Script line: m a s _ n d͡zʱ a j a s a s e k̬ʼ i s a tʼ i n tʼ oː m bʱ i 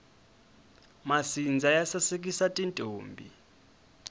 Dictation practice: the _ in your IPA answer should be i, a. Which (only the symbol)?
i